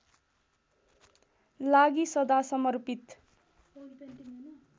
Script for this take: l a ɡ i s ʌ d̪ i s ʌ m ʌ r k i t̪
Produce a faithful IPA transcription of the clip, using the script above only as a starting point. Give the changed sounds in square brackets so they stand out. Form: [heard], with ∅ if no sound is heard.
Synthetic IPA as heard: l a ɡ i s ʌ d̪ [a] s ʌ m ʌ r [p] i t̪